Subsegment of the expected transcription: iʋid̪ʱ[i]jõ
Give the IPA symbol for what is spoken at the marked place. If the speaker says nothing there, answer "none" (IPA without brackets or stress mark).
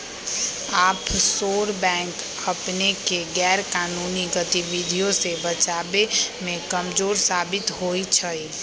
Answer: i